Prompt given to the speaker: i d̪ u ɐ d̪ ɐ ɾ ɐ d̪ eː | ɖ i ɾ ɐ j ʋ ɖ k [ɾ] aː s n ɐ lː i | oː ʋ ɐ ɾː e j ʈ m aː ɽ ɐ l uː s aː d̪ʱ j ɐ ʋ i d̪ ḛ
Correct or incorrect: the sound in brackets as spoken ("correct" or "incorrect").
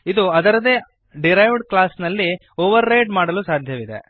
incorrect